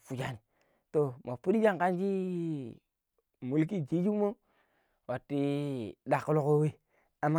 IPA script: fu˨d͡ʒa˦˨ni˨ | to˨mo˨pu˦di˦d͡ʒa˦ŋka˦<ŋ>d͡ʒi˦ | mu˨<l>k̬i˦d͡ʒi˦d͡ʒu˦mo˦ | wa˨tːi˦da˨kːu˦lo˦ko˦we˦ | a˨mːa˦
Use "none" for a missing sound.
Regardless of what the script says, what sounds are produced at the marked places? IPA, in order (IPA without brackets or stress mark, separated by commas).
n, l